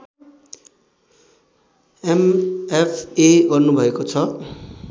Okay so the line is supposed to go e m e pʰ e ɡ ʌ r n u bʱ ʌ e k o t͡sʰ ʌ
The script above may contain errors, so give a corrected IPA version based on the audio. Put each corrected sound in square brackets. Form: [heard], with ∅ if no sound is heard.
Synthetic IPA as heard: e m e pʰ e ɡ ʌ r n u bʱ ʌ e k o t͡sʰ ʌ